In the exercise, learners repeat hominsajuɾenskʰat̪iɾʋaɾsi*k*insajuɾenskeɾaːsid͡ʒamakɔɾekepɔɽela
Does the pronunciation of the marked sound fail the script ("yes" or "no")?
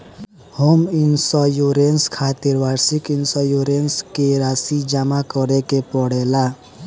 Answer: no